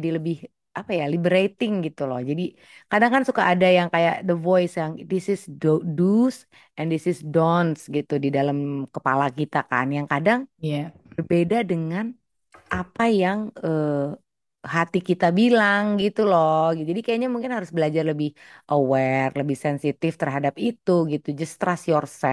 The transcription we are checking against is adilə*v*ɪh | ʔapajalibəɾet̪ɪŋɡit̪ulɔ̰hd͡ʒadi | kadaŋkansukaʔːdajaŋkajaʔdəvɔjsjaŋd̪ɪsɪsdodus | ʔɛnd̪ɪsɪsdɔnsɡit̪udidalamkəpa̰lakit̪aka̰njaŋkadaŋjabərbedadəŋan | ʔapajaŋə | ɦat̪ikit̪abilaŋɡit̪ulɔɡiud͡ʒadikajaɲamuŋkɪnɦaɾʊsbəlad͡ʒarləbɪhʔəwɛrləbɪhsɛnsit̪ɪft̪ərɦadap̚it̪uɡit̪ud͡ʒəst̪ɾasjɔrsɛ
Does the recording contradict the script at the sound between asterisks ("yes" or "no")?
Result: yes